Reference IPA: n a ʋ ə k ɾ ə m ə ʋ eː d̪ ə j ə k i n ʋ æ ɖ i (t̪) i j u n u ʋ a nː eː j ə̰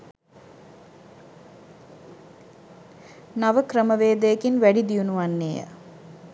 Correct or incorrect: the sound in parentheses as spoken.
incorrect: d̪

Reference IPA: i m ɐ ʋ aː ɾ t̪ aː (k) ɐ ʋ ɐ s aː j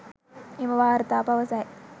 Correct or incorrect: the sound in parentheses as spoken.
incorrect: p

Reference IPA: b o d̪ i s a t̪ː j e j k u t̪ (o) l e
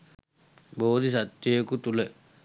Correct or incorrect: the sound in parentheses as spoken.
incorrect: u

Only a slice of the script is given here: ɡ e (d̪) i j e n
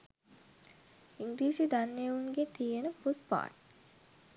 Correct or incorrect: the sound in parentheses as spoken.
incorrect: t̪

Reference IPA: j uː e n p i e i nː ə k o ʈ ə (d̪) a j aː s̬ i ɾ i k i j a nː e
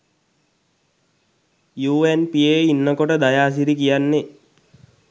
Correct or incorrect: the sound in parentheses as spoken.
correct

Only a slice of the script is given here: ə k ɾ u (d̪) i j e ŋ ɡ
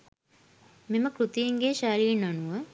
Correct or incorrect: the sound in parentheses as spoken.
incorrect: t̪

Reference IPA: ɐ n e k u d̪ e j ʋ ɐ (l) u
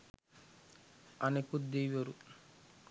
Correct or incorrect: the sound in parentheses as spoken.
incorrect: ɾ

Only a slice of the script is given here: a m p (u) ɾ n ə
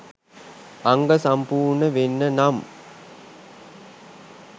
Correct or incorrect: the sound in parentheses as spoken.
incorrect: uː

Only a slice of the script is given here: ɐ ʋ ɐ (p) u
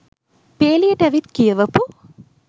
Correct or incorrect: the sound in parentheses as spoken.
correct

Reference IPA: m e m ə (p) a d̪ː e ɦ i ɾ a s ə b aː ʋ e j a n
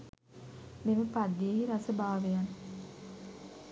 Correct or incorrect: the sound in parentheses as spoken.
correct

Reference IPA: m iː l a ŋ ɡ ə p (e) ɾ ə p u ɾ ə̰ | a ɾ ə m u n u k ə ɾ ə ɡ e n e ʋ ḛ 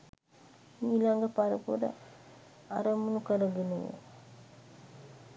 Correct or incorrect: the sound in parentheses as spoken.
incorrect: a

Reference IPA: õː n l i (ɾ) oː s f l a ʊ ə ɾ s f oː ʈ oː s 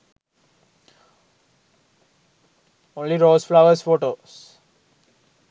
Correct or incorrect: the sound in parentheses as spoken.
correct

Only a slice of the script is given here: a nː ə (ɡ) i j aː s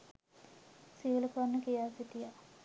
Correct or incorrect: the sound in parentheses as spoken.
incorrect: k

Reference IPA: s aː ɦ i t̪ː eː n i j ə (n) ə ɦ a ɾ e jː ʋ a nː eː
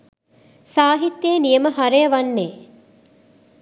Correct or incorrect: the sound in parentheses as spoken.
incorrect: m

